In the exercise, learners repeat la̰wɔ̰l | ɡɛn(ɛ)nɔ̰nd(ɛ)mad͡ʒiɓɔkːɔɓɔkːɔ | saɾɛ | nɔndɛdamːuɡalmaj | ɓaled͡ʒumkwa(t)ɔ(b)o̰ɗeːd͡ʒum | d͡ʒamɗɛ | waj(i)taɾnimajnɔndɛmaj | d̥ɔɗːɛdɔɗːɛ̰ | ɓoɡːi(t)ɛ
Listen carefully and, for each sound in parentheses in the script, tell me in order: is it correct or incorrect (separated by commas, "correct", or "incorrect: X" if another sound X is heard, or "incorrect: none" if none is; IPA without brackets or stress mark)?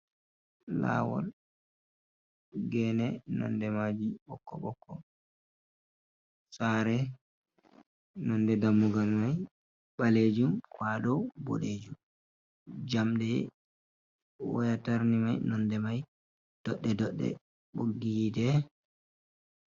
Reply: correct, correct, incorrect: d, correct, incorrect: a, incorrect: d